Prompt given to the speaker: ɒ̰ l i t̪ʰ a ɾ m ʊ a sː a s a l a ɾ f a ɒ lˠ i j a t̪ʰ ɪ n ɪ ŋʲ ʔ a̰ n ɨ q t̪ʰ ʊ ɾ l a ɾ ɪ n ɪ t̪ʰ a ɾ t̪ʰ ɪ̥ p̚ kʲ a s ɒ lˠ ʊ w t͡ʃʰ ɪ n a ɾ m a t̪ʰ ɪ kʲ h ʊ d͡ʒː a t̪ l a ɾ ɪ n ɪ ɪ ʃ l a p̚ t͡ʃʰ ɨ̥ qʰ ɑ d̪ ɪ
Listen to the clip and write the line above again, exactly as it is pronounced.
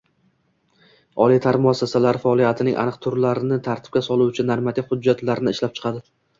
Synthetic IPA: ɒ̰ l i t̪ʰ a ɾ m ʊ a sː a s a l a ɾ f a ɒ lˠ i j a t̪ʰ ɪ n ɪ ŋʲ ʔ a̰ n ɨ q t̪ʰ ʊ ɾ l a ɾ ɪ n ɪ t̪ʰ a ɾ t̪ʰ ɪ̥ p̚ kʲ a s ɒ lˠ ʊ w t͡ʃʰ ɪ n a ɾ m a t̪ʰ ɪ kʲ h ʊ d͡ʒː a t̪ l a ɾ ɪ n ɪ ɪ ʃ l a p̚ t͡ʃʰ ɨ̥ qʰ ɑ d̪ ɪ